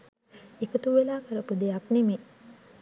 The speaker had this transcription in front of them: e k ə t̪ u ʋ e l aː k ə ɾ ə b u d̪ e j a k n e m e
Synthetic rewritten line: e k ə t̪ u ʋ e l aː k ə ɾ ə p u d̪ e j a k n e m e

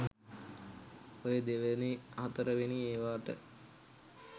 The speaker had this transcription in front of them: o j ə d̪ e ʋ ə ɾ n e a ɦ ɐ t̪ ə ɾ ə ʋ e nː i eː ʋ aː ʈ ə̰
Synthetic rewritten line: o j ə d̪ e ʋ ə n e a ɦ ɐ t̪ ə ɾ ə ʋ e n i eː ʋ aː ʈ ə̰

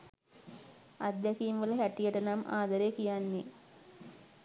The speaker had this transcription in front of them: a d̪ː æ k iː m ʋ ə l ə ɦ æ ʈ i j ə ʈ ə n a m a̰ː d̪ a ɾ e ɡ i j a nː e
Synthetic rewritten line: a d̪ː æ k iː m ʋ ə l ə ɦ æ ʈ i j ə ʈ ə n a m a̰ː d̪ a ɾ e k i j a nː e

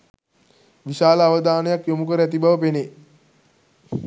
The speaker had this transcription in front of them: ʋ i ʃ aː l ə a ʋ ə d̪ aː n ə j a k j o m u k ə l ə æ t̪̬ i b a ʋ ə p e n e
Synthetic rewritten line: ʋ i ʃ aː l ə a ʋ ə d̪ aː n ə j a k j o m u k ə ɾ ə æ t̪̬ i b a ʋ ə p e n e

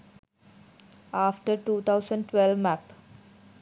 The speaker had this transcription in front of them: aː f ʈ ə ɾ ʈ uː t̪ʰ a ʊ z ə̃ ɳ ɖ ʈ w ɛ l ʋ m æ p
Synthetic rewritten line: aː f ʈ ə ɾ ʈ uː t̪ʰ a ʊ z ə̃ ɳ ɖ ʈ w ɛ l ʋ m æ p

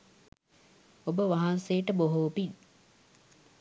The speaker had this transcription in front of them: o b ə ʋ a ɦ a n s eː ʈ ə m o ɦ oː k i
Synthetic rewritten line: o b ə ʋ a ɦ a n s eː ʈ ə b o ɦ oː p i

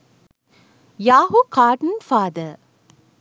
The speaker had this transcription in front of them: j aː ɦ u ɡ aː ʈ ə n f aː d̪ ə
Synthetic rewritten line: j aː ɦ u k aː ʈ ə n f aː d̪ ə

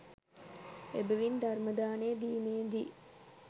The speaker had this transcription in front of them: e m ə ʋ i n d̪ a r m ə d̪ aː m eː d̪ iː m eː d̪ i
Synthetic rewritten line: e b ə ʋ i n d̪ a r m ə d̪ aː n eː d̪ iː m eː d̪ i

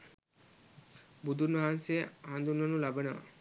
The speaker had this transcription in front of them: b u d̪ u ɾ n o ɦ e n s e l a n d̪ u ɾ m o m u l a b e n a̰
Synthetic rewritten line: b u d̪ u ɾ n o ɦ a n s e a n d̪ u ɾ n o n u l a b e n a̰

